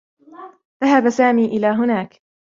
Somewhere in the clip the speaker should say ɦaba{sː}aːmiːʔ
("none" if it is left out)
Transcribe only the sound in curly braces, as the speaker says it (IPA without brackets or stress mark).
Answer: s